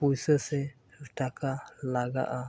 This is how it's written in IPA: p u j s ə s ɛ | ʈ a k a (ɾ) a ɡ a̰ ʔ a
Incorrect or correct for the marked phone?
incorrect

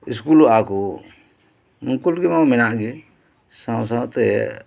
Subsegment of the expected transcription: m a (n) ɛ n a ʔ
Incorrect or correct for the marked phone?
incorrect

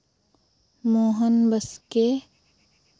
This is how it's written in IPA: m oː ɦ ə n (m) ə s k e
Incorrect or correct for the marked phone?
incorrect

